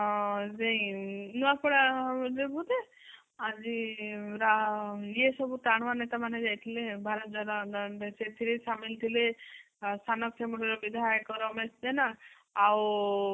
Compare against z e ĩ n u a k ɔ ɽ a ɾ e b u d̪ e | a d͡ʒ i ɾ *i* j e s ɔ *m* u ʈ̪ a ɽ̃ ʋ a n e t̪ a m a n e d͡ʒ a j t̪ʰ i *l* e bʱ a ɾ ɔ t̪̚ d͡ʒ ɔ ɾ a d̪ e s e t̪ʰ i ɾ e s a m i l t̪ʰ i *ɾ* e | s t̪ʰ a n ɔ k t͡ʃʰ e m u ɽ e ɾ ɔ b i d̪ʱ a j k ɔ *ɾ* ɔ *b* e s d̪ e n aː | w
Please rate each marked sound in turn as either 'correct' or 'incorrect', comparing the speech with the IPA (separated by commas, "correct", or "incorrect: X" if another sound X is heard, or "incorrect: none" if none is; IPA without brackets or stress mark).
incorrect: a, incorrect: b, correct, incorrect: l, correct, incorrect: m